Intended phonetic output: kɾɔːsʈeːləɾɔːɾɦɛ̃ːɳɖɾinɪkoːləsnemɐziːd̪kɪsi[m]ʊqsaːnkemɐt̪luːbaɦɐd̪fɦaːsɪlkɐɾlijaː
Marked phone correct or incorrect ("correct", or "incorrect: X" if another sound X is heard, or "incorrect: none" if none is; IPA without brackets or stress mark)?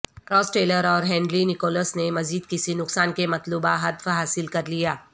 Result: incorrect: n